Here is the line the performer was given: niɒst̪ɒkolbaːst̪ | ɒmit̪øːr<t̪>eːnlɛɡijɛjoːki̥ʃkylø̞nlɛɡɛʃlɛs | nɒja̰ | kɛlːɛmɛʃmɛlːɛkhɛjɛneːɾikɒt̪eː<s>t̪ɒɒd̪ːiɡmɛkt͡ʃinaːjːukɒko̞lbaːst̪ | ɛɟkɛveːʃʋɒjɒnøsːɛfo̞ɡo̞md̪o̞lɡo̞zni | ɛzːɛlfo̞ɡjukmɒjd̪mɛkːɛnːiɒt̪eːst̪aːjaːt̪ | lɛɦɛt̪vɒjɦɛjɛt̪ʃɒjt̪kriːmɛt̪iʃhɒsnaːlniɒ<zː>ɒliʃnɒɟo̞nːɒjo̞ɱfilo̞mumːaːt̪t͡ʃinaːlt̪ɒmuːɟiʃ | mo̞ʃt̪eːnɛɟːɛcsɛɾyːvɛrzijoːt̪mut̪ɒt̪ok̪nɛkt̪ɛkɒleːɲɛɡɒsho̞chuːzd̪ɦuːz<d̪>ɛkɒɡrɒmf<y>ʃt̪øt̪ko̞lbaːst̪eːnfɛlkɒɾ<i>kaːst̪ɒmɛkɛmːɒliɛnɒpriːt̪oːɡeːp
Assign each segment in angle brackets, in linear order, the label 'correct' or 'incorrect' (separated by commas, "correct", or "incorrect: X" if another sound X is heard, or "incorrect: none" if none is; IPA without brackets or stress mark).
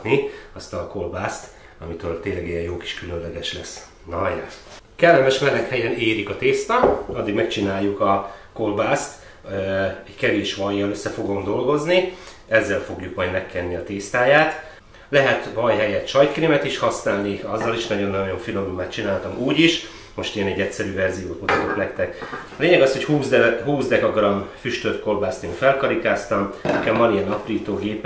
correct, correct, correct, correct, correct, correct